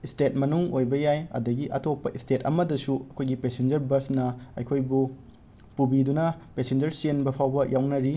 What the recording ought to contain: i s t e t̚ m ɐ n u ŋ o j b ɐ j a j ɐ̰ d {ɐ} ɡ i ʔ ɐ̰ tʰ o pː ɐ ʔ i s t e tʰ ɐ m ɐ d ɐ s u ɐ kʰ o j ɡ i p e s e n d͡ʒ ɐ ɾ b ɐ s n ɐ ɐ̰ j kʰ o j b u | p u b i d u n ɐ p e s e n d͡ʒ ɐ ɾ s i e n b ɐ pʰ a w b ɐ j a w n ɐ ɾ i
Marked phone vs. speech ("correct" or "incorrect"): correct